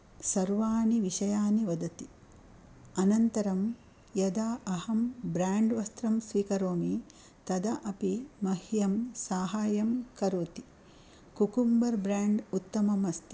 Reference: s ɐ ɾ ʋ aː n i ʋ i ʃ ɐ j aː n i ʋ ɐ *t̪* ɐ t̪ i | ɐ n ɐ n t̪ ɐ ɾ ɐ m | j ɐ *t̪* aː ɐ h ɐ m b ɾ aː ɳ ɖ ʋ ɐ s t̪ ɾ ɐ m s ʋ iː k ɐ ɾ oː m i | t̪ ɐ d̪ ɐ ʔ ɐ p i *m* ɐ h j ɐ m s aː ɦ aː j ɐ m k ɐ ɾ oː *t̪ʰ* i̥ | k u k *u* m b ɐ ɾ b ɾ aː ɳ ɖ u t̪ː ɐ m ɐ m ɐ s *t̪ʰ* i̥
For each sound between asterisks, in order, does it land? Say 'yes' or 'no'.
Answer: no, no, yes, no, yes, no

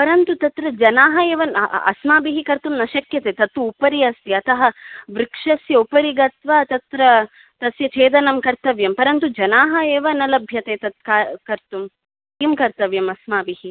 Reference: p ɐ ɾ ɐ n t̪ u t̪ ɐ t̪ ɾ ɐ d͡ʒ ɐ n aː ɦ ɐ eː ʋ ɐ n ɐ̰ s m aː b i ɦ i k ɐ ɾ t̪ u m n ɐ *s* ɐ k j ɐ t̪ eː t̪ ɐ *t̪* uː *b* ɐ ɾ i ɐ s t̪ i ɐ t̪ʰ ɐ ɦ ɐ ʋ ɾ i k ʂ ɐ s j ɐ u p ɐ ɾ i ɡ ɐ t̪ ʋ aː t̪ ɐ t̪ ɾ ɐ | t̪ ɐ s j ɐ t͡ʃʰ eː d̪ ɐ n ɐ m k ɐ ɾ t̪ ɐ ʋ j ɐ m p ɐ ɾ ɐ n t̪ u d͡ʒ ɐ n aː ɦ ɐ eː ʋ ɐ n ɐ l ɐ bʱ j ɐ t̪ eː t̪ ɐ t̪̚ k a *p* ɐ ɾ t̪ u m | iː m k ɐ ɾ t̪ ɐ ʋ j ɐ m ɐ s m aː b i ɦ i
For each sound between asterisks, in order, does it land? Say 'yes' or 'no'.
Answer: no, yes, no, no

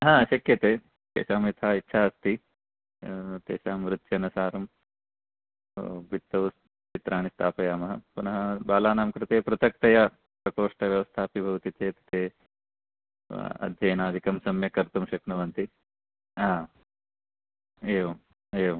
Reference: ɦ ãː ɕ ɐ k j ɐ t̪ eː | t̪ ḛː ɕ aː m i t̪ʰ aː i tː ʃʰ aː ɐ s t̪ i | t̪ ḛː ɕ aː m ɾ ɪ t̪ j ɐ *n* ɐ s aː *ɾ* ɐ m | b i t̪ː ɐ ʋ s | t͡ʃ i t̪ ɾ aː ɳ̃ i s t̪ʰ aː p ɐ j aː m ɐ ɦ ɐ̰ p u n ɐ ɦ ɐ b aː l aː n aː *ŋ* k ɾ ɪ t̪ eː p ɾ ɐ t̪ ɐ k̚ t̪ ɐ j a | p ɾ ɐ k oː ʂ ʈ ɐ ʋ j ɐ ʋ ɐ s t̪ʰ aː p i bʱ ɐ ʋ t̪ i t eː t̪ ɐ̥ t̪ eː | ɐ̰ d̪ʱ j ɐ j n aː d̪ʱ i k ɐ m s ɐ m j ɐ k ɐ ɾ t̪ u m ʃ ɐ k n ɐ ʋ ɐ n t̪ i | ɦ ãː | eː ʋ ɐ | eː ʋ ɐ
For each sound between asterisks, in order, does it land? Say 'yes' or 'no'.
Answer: yes, yes, no

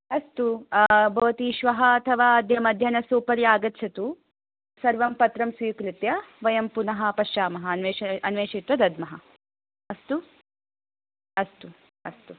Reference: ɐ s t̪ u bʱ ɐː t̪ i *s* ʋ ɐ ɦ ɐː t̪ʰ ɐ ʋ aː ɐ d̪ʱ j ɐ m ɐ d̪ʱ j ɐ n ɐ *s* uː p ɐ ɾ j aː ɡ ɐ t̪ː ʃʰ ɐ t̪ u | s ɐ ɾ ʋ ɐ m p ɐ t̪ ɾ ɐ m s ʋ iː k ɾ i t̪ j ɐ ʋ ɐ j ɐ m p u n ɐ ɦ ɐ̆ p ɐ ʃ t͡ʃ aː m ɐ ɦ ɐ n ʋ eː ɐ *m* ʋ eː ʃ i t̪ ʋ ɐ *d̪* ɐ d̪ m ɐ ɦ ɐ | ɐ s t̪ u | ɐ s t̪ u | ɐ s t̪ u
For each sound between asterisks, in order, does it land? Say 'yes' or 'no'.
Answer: no, yes, no, yes

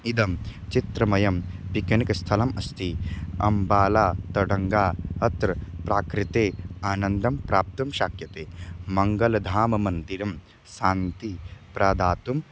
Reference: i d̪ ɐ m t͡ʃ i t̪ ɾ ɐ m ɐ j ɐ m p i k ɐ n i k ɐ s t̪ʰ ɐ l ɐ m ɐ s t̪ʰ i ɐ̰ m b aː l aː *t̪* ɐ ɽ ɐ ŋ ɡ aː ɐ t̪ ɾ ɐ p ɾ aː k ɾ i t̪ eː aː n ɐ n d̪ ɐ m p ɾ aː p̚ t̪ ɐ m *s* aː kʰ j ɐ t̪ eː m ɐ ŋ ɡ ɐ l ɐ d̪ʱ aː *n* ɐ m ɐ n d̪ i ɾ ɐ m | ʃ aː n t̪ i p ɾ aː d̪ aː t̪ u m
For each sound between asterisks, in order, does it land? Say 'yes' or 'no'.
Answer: yes, no, no

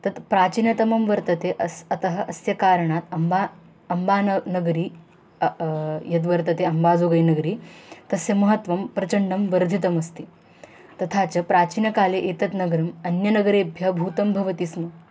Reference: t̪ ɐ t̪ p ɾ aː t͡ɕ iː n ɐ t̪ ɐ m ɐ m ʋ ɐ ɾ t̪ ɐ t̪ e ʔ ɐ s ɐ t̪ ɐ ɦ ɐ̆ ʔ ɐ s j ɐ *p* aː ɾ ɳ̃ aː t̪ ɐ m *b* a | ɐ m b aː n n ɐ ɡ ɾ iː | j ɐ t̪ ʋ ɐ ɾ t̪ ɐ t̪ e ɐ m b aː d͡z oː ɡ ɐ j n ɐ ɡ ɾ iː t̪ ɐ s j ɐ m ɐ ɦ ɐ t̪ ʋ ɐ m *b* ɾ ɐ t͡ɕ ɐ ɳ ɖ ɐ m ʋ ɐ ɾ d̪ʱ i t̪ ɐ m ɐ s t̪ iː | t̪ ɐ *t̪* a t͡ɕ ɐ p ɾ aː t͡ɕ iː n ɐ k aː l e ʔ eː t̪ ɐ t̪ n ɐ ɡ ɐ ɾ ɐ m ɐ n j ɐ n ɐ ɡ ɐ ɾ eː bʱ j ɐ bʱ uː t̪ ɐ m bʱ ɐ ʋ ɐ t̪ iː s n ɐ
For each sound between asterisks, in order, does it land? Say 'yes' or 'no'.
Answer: no, yes, no, no

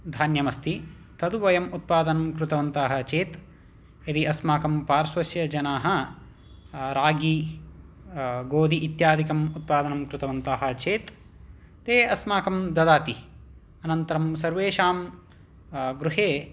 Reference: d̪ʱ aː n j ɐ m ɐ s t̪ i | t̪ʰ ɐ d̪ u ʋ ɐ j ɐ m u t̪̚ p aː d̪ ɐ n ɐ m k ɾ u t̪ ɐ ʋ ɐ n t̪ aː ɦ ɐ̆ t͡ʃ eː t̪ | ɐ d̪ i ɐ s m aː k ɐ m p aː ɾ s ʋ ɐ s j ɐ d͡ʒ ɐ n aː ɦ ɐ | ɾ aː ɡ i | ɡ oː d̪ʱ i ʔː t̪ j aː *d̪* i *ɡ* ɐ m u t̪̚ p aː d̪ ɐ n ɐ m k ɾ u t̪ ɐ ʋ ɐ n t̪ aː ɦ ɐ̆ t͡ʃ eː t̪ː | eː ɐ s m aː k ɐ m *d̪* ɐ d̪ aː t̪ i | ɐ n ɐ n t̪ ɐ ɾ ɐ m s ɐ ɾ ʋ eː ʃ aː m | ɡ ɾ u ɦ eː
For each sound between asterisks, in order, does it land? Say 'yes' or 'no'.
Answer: yes, no, yes

